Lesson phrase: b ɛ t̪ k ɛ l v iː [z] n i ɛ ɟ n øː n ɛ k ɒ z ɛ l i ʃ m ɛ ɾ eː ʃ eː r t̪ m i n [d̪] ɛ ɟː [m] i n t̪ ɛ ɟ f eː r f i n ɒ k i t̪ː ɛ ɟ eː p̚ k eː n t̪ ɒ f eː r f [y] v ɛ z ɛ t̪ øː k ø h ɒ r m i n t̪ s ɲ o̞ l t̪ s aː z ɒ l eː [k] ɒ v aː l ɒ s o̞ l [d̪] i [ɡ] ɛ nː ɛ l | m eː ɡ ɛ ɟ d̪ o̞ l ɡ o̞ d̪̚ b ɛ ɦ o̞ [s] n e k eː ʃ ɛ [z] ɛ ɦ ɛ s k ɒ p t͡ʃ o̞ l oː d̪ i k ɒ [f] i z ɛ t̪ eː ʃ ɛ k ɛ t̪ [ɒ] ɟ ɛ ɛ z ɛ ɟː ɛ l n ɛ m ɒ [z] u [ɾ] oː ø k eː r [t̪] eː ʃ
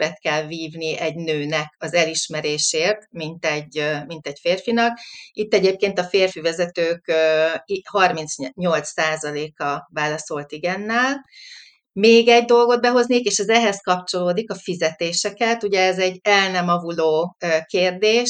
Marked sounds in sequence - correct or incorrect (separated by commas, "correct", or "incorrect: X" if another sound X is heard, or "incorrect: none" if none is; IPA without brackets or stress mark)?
incorrect: v, incorrect: t̪, correct, incorrect: i, correct, incorrect: t̪, correct, incorrect: z, correct, correct, incorrect: u, incorrect: v, incorrect: l, incorrect: d̪